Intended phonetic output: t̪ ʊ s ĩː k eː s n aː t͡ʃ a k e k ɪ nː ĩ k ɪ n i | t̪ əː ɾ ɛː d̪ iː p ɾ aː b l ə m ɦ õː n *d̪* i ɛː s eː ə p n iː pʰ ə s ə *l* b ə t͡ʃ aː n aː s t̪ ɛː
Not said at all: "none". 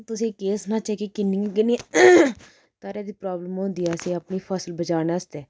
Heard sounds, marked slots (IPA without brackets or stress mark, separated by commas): d̪, l